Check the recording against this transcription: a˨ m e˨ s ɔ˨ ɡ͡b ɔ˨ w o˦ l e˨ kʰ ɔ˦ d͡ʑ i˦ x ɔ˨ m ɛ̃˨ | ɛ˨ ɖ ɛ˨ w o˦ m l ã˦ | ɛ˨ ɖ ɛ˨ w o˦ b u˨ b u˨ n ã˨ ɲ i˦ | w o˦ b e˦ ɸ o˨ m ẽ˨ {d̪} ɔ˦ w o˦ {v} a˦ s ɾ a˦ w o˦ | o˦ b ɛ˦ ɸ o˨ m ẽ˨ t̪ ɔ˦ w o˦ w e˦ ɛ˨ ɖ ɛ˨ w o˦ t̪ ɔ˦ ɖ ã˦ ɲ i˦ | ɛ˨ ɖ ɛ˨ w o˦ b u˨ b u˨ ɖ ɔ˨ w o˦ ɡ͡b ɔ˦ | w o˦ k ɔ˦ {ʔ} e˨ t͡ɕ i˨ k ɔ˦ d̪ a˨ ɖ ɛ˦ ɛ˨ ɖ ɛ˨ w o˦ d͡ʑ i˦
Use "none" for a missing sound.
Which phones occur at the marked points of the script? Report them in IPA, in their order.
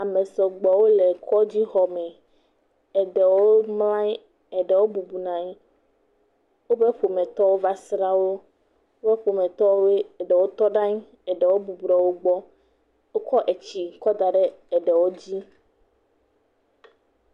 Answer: t̪, v, ʔ

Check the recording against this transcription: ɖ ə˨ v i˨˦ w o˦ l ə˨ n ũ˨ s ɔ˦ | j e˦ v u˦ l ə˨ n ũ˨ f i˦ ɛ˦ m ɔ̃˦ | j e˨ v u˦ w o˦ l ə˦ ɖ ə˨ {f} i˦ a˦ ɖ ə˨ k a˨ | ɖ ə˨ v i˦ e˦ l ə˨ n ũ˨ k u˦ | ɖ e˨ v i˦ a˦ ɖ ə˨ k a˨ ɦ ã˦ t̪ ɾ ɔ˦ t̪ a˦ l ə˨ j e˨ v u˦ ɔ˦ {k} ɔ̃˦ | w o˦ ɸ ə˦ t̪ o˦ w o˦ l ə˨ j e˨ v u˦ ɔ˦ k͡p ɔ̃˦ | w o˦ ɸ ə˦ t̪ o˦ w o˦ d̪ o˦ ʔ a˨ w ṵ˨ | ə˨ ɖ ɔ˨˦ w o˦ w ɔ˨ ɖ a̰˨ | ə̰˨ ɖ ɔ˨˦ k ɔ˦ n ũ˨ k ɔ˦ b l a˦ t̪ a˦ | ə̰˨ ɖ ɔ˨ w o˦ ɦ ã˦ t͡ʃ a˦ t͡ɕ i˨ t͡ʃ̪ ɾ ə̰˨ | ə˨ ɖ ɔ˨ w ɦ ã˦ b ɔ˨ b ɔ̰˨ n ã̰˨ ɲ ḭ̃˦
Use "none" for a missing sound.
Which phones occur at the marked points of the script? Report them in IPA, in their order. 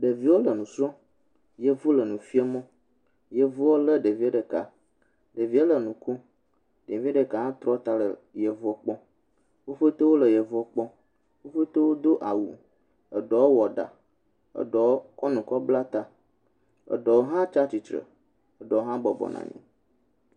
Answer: v, k͡p

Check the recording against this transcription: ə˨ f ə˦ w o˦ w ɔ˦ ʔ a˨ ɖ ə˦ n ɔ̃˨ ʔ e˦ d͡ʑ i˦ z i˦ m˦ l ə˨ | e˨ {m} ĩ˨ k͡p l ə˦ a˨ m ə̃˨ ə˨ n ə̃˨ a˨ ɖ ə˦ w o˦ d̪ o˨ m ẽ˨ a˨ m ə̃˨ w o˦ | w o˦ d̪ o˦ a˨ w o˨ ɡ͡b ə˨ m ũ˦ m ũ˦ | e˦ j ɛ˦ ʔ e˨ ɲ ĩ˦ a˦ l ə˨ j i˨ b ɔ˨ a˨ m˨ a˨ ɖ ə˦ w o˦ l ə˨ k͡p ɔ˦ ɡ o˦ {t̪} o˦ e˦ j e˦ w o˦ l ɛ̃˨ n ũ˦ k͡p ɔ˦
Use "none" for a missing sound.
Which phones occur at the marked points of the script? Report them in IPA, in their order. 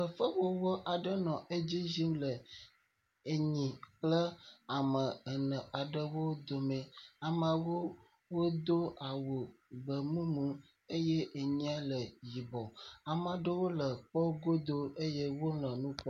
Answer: ɲ, d̪

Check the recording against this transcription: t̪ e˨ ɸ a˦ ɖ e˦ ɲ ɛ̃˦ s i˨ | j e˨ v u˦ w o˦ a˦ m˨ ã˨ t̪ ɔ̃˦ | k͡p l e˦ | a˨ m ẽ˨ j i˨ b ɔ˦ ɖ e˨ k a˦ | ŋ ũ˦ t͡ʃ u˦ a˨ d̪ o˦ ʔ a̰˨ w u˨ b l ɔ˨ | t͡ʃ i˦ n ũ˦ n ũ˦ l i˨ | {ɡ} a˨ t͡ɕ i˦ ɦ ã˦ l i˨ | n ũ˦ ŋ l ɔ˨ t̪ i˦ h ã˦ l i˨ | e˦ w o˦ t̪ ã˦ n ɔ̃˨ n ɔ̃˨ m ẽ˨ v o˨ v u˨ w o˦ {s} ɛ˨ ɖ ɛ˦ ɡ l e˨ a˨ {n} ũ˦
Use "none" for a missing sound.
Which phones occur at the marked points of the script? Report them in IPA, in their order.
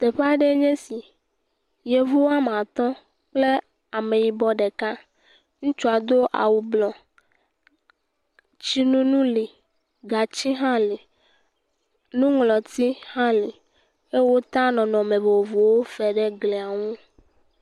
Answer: ɡ, f, ŋ

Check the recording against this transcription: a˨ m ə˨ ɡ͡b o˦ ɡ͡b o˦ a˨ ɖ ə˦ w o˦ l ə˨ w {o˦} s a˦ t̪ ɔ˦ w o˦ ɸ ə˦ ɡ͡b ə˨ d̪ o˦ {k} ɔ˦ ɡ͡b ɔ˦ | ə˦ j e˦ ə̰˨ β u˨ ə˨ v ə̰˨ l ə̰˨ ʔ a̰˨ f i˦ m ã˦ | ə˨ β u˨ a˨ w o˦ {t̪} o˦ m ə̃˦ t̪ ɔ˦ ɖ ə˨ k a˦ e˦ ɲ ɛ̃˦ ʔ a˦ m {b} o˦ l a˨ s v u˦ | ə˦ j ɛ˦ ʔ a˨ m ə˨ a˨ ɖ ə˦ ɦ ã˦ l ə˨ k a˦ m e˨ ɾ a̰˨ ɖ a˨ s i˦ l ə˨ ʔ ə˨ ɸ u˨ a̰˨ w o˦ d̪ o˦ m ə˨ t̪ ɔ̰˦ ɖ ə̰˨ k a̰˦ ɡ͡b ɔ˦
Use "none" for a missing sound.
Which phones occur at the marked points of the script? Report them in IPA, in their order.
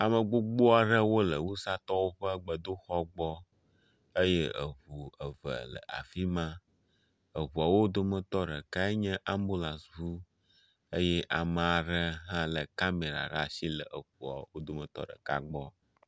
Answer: u˦, x, d̪, b

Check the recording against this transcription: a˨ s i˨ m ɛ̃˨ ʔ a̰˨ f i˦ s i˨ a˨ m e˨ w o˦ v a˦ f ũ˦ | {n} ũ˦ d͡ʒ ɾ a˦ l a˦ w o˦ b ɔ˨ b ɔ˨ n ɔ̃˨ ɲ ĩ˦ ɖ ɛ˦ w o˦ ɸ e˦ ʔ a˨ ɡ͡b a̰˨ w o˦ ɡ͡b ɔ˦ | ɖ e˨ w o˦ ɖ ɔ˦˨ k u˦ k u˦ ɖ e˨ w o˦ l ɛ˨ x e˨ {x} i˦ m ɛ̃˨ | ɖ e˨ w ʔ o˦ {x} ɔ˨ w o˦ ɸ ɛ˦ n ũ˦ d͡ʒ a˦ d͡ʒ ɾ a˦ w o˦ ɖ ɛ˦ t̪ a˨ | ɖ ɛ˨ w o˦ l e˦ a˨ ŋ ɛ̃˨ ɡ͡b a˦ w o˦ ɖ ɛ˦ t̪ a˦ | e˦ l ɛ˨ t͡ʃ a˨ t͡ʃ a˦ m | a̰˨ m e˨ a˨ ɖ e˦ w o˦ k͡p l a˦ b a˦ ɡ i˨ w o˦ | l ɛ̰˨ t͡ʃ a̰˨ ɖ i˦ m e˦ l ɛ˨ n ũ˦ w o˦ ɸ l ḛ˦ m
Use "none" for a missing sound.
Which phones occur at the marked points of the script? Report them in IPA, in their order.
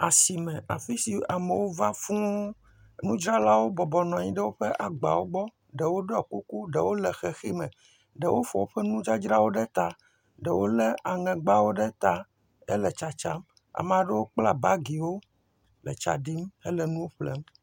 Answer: n, x, f

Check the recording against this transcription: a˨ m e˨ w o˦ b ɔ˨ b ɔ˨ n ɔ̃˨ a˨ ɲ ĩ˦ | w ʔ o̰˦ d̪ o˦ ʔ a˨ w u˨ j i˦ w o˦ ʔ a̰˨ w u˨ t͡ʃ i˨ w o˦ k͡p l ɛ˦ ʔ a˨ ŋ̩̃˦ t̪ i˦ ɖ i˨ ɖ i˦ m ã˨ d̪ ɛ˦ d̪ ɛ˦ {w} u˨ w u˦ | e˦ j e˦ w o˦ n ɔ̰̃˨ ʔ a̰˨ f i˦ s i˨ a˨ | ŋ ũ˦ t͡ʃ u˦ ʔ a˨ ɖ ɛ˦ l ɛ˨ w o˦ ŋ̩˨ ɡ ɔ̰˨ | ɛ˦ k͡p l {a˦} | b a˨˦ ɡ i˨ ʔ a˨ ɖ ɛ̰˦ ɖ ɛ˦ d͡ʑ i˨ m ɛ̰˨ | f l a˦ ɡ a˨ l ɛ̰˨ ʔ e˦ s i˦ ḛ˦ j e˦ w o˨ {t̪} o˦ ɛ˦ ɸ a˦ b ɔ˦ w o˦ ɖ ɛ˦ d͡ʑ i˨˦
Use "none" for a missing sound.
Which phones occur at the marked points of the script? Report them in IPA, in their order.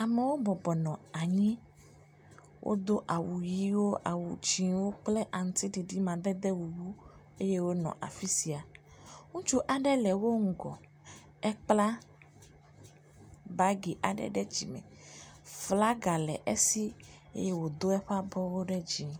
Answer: w, a˦, d̪

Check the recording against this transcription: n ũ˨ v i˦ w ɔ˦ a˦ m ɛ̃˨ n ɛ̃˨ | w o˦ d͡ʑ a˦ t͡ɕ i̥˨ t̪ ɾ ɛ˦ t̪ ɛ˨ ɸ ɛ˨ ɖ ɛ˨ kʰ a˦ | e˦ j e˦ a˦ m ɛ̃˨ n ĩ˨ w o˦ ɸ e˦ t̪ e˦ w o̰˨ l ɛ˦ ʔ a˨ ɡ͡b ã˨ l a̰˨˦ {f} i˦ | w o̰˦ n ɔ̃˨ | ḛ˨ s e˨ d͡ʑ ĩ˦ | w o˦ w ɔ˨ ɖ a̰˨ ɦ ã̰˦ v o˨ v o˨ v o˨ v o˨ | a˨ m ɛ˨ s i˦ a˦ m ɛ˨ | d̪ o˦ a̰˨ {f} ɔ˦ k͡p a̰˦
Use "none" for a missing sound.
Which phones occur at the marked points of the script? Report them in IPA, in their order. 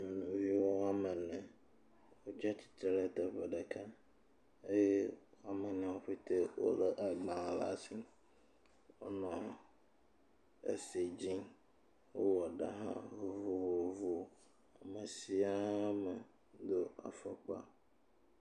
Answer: s, f

